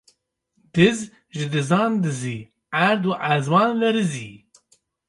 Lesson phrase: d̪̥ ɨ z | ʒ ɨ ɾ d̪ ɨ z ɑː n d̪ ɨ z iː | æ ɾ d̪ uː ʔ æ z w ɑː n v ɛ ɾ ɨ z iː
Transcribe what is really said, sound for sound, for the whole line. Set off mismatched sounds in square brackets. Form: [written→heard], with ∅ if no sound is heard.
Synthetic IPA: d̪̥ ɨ z | ʒ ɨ [ɾ→∅] d̪ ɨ z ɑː n d̪ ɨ z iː | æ ɾ d̪ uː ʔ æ z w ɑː n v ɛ ɾ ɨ z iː